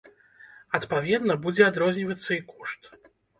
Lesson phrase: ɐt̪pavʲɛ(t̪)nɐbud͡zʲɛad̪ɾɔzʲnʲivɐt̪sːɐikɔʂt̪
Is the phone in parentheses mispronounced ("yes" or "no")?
yes